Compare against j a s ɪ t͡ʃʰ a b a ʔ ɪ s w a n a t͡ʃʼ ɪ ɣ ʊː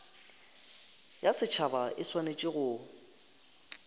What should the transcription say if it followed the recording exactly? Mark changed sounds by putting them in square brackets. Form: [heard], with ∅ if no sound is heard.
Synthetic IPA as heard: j a s ɪ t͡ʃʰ a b a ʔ ɪ s w a n [e] t͡ʃʼ ɪ ɣ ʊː